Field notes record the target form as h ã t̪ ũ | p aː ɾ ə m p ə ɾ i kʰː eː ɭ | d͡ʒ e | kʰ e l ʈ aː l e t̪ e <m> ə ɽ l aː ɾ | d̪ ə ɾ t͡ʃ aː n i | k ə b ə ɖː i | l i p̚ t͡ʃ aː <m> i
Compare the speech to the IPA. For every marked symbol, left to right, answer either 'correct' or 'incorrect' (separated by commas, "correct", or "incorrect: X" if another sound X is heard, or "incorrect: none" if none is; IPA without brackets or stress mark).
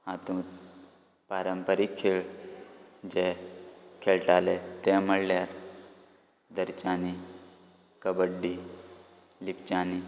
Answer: correct, incorrect: n